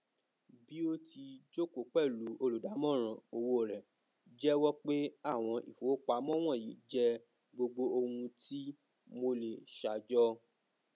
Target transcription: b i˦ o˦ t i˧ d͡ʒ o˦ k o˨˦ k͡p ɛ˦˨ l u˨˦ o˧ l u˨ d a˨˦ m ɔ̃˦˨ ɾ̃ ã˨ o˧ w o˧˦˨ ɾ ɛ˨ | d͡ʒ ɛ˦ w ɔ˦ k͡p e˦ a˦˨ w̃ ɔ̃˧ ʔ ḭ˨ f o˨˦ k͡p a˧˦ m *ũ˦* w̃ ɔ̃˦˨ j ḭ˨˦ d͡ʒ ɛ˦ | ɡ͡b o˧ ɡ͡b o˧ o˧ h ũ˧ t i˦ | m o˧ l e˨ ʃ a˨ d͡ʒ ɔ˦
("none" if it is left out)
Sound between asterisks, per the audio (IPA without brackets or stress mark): ɔ̃˦